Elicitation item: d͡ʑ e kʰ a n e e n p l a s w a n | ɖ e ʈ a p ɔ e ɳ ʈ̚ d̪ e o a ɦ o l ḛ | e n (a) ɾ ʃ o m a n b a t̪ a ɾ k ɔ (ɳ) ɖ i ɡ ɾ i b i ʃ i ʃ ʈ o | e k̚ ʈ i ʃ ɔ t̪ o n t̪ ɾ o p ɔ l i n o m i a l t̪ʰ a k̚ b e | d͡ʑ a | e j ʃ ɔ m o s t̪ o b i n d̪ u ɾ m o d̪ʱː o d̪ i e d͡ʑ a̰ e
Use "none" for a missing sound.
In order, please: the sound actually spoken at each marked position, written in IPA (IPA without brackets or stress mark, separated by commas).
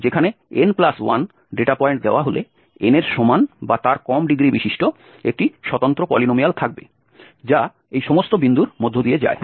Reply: e, m